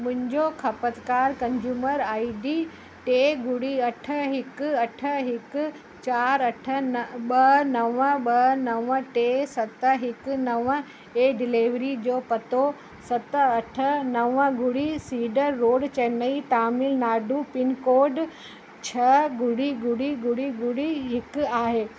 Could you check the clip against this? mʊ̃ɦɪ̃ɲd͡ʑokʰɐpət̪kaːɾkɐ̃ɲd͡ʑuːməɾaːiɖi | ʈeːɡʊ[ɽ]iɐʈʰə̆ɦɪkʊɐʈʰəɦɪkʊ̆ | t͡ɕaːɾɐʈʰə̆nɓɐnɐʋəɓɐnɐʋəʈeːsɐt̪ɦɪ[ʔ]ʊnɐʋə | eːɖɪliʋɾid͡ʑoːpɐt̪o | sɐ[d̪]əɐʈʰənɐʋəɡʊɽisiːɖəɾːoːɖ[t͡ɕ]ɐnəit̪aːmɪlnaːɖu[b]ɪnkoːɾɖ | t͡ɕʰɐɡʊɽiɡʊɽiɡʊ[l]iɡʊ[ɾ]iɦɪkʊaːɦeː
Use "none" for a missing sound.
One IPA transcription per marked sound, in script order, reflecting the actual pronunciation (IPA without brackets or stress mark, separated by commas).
ɽ, k, t̪, t͡ɕ, p, ɽ, ɽ